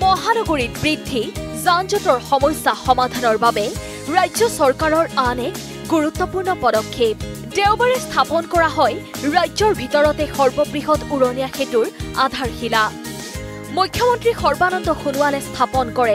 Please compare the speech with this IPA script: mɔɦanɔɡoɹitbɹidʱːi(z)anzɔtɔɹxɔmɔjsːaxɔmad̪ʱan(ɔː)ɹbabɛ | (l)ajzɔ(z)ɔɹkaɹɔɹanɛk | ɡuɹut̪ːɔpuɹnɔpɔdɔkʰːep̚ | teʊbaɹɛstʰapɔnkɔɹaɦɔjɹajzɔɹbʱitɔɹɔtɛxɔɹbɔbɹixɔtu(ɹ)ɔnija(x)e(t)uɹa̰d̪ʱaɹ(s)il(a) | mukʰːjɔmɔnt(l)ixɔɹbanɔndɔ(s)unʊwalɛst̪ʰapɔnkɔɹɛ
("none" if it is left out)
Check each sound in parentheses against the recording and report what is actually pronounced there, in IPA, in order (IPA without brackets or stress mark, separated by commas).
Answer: z, ɔ, ɹ, s, ɹ, x, t, x, a, ɹ, x